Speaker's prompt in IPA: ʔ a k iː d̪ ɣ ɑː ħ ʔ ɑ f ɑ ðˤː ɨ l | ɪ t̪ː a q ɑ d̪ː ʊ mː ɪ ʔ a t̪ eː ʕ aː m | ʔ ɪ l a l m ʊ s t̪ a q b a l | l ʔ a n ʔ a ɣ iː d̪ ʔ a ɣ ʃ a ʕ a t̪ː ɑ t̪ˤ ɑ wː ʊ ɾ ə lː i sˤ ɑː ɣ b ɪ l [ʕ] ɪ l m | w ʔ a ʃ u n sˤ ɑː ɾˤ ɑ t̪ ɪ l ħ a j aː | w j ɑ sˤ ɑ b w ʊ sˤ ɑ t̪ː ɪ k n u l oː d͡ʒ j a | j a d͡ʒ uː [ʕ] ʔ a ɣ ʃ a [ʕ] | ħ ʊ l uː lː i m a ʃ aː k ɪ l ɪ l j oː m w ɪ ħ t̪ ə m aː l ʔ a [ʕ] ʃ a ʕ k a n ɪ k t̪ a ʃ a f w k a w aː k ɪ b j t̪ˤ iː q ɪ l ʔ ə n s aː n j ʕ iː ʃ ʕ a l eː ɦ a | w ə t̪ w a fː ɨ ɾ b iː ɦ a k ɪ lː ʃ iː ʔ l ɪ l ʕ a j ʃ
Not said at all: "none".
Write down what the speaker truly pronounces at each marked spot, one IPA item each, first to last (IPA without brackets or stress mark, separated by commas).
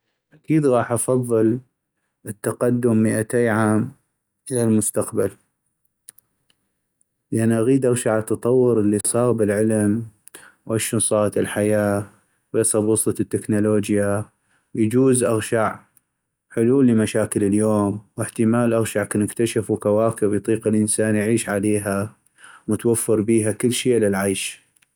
ʕ, z, ʕ, ɣ